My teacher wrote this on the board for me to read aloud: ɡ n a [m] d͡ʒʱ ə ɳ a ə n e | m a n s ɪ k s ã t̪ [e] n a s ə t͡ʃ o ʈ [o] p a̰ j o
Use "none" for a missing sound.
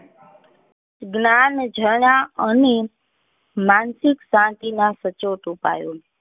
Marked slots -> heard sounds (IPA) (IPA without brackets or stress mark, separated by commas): n, i, u